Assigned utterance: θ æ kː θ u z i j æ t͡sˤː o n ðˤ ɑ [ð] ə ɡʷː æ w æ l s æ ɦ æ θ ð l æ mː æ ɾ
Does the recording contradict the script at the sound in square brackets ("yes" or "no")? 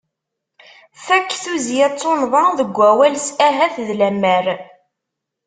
no